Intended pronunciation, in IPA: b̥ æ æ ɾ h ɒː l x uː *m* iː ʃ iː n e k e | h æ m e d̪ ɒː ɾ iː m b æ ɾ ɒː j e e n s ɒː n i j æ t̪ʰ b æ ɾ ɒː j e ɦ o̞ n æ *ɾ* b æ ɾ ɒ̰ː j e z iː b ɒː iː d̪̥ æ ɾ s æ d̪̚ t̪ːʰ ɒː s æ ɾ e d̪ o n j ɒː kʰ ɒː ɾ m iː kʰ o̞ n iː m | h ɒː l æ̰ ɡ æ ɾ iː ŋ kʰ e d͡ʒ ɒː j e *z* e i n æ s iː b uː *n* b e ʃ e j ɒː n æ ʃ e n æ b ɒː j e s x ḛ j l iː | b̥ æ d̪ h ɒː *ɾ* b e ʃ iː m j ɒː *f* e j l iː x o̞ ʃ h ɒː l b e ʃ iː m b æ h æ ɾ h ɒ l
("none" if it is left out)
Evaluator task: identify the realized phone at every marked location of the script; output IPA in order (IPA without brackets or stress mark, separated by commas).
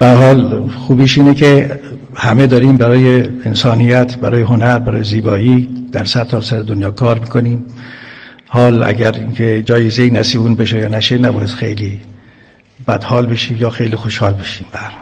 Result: b, ɾ, z, n, l, x